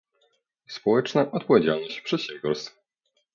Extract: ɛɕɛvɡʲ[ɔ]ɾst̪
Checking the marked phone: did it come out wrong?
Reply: no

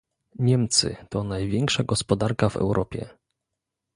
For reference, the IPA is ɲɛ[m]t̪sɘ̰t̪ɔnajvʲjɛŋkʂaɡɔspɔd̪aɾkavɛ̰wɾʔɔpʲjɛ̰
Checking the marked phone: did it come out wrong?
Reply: no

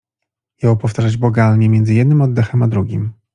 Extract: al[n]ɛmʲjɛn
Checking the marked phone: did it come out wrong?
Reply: yes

